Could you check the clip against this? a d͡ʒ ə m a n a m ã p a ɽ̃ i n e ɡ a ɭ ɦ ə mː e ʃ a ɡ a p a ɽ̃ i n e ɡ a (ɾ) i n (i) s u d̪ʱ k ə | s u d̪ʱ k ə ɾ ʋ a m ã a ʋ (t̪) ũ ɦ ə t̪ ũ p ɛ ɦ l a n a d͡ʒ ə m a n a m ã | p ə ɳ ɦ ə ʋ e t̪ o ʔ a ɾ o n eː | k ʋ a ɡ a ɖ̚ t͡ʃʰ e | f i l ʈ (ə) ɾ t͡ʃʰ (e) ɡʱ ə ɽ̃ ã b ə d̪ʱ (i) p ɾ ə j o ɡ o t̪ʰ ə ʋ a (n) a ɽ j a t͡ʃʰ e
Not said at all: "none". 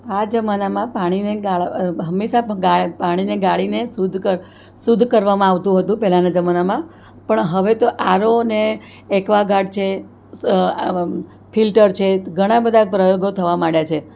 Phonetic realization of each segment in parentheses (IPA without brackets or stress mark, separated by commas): ɭ, e, t̪, ə, e, a, m